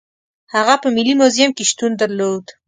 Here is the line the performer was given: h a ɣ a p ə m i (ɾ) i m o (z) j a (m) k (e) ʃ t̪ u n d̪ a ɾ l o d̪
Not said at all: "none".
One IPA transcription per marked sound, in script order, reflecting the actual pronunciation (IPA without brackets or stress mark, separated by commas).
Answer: l, z, m, e